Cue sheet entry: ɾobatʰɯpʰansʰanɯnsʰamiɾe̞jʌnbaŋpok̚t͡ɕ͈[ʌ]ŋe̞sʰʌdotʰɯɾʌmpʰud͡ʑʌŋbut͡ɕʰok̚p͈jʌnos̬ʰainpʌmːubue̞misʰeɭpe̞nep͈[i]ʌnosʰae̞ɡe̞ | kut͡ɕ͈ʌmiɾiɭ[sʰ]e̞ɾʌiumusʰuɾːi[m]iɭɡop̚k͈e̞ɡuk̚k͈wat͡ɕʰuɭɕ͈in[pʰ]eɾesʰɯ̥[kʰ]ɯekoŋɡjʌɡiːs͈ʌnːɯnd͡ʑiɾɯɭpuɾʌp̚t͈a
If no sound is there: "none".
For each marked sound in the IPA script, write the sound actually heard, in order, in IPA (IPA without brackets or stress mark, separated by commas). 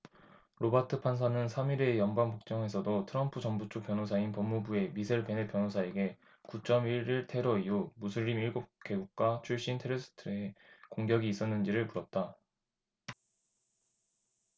ʌ, j, tʰ, m, tʰ, tʰ